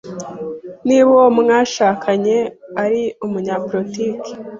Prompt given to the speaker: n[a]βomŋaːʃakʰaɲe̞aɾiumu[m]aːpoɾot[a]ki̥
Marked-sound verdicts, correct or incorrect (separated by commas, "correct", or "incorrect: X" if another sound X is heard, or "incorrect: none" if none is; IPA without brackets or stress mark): incorrect: i, incorrect: ɲ, incorrect: i